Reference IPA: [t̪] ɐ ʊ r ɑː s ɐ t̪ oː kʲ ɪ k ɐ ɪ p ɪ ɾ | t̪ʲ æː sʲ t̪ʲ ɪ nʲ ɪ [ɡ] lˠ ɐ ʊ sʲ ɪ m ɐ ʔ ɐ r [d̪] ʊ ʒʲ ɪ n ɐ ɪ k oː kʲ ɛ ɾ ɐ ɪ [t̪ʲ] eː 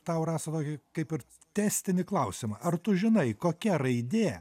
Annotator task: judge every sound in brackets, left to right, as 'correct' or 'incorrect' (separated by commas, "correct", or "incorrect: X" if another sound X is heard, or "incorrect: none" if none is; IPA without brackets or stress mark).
correct, incorrect: k, incorrect: t̪, incorrect: d̪ʲ